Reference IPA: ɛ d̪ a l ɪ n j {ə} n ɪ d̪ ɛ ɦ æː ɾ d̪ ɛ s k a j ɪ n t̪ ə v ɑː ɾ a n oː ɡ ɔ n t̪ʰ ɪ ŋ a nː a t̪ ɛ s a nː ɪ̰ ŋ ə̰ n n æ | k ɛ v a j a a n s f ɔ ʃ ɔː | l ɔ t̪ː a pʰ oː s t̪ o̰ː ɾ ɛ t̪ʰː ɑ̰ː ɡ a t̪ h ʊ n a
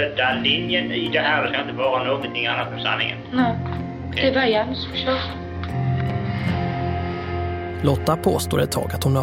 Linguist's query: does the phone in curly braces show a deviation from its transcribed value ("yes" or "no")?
no